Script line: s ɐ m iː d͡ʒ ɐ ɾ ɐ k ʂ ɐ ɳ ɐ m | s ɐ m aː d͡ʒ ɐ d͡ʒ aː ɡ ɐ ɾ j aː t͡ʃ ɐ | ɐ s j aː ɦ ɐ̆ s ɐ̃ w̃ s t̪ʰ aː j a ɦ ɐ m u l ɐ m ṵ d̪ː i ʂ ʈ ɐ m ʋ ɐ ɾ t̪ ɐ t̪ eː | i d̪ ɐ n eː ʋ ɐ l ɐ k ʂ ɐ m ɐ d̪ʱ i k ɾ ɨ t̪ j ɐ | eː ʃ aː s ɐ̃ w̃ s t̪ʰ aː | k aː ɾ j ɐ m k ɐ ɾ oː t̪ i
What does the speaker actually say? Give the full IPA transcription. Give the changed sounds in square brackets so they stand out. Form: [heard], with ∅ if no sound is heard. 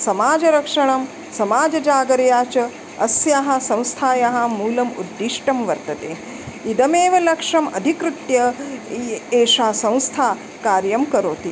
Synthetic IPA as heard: s ɐ m [aː] d͡ʒ ɐ ɾ ɐ k ʂ ɐ ɳ ɐ m | s ɐ m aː d͡ʒ ɐ d͡ʒ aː ɡ ɐ ɾ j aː t͡ʃ ɐ | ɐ s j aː ɦ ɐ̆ s ɐ̃ w̃ s t̪ʰ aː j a ɦ ɐ m [uː] l ɐ m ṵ d̪ː i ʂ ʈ ɐ m ʋ ɐ ɾ t̪ ɐ t̪ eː | i d̪ ɐ [m] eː ʋ ɐ l ɐ k ʂ ɐ m ɐ d̪ʱ i k ɾ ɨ t̪ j ɐ | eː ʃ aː s ɐ̃ w̃ s t̪ʰ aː | k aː ɾ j ɐ m k ɐ ɾ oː t̪ i

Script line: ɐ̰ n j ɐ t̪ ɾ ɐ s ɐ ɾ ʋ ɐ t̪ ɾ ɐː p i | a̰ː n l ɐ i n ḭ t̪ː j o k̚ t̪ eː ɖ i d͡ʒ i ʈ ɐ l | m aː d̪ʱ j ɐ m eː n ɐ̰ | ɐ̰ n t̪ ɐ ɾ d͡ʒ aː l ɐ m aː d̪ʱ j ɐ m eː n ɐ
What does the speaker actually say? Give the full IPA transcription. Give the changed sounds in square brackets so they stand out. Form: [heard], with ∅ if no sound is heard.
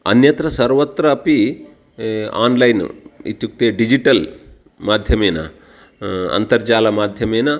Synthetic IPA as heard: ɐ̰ n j ɐ t̪ ɾ ɐ s ɐ ɾ ʋ ɐ t̪ ɾ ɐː p i | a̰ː n l ɐ [j] n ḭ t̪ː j [u] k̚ t̪ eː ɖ i d͡ʒ i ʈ ɐ l | m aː d̪ʱ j ɐ m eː n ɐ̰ | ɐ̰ n t̪ ɐ ɾ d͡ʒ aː l ɐ m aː d̪ʱ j ɐ m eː n ɐ

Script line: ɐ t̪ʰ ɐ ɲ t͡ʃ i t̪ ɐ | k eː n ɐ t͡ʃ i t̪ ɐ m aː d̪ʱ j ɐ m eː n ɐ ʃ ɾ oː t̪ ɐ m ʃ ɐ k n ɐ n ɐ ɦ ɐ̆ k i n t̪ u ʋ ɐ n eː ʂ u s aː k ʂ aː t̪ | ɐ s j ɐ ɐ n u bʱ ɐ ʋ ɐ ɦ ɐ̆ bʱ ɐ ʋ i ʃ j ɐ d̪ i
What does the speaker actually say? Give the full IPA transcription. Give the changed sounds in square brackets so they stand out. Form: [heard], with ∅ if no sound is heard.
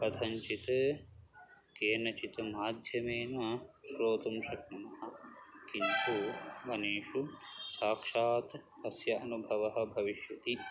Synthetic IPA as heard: ɐ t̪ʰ ɐ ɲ t͡ʃ i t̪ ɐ | k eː n ɐ t͡ʃ i t̪ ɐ m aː d̪ʱ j ɐ m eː n ɐ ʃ ɾ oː t̪ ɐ m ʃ ɐ k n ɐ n ɐ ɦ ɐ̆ k i n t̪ u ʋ ɐ n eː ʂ u s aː k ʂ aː t̪ | ɐ s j ɐ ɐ n u bʱ ɐ ʋ ɐ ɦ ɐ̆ bʱ ɐ ʋ i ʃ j ɐ [t̪] i

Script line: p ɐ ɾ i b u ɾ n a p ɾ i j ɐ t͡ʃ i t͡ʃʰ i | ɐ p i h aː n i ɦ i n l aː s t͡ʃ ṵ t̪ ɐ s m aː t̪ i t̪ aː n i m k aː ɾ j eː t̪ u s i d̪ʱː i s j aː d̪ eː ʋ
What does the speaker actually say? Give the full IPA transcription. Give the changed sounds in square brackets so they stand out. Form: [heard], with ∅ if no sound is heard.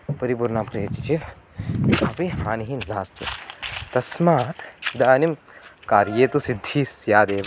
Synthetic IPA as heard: p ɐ ɾ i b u ɾ n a p ɾ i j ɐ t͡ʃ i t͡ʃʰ i | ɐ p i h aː n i ɦ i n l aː s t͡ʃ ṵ t̪ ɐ s m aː t̪ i [d̪] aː n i m k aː ɾ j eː t̪ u s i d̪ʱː i s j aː d̪ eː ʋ

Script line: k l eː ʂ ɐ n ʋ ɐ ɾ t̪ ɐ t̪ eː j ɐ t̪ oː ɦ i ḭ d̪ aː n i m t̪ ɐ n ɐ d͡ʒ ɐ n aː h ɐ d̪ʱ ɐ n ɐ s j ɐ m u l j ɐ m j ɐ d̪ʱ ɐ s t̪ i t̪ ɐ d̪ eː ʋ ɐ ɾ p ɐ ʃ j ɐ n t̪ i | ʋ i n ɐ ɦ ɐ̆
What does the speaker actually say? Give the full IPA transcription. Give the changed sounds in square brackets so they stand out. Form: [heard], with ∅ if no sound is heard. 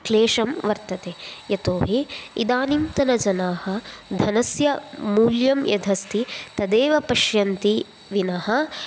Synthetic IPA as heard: k l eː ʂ ɐ [m] ʋ ɐ ɾ t̪ ɐ t̪ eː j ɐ t̪ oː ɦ i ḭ d̪ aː n i m t̪ ɐ n ɐ d͡ʒ ɐ n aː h ɐ d̪ʱ ɐ n ɐ s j ɐ m [uː] l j ɐ m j ɐ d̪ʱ ɐ s t̪ i t̪ ɐ d̪ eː ʋ ɐ [∅] p ɐ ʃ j ɐ n t̪ i | ʋ i n ɐ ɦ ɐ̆

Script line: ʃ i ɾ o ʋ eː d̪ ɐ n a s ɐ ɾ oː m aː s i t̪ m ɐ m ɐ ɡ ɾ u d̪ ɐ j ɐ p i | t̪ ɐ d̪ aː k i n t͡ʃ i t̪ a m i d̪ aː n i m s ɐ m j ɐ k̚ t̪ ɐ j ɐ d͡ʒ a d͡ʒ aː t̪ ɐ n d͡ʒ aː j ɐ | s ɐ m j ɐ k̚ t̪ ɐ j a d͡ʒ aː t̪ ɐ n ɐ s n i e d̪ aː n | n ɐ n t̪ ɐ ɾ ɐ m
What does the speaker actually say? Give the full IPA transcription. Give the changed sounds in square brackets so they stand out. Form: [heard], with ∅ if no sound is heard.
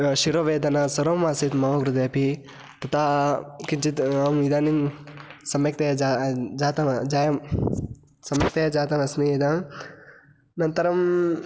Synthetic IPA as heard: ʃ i ɾ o ʋ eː d̪ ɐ n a s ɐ ɾ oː m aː s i t̪ m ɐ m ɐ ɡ ɾ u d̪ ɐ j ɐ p i | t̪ ɐ [t̪] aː k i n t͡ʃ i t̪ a m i d̪ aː n i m s ɐ m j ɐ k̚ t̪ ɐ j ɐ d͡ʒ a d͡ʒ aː t̪ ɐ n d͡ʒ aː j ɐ | s ɐ m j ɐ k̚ t̪ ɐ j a d͡ʒ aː t̪ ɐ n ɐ s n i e d̪ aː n | n ɐ n t̪ ɐ ɾ ɐ m

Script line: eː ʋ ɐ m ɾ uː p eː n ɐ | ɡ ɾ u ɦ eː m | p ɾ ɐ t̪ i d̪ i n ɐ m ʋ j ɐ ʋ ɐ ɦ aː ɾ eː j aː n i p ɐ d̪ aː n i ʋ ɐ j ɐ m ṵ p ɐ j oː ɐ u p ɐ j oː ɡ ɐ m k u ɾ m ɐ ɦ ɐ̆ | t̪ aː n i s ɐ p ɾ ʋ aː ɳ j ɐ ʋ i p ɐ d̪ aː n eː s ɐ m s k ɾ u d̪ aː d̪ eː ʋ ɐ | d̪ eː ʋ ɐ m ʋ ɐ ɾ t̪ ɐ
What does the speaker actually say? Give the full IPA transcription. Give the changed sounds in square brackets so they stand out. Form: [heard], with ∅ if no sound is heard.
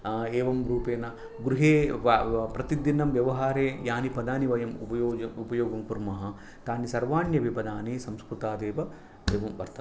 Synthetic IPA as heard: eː ʋ ɐ m ɾ uː p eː n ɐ | ɡ ɾ u ɦ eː [∅] | p ɾ ɐ t̪ i d̪ i n ɐ m ʋ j ɐ ʋ ɐ ɦ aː ɾ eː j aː n i p ɐ d̪ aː n i ʋ ɐ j ɐ m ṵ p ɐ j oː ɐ u p ɐ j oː ɡ ɐ m k u ɾ m ɐ ɦ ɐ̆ | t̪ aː n i s ɐ [∅] ɾ ʋ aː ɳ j ɐ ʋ i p ɐ d̪ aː n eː s ɐ m s k ɾ u [t̪] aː d̪ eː ʋ ɐ | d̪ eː ʋ ɐ m ʋ ɐ ɾ t̪ ɐ

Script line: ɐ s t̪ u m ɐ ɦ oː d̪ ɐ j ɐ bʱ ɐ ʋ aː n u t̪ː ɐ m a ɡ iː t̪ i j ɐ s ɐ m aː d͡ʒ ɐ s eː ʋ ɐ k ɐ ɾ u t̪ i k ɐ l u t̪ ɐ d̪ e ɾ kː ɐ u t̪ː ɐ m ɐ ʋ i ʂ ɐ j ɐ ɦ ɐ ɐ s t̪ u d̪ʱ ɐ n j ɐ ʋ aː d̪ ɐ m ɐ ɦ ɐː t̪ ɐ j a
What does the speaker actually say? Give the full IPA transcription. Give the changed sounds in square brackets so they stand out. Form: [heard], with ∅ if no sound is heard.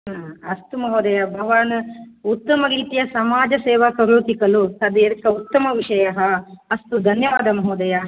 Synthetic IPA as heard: ɐ s t̪ u m ɐ ɦ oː d̪ ɐ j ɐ bʱ ɐ ʋ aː n u t̪ː ɐ m [ɐ] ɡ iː t̪ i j ɐ s ɐ m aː d͡ʒ ɐ s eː ʋ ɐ k ɐ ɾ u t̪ i k ɐ l u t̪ ɐ d̪ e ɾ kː ɐ u t̪ː ɐ m ɐ ʋ i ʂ ɐ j ɐ ɦ ɐ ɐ s t̪ u d̪ʱ ɐ n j ɐ ʋ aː d̪ ɐ m ɐ ɦ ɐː [d̪] ɐ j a

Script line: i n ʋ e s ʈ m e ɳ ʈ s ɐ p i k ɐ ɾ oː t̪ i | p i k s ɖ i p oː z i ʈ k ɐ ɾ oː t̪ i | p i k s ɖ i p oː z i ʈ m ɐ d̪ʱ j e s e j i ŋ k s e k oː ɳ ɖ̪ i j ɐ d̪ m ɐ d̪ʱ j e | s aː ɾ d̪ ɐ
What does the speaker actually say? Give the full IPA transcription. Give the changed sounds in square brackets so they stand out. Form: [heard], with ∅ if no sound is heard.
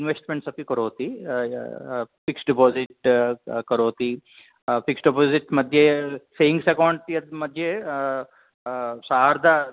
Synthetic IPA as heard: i n ʋ e s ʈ m e ɳ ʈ s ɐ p i k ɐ ɾ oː t̪ i | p i k s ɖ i p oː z i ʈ k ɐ ɾ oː t̪ i | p i k s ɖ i p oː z i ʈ m ɐ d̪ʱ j e s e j i ŋ [ɡ] s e k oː ɳ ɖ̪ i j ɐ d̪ m ɐ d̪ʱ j e | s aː ɾ d̪ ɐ

